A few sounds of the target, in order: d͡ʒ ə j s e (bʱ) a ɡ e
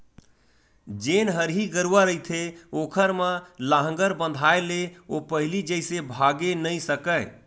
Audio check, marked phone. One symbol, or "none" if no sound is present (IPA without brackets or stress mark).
bʱ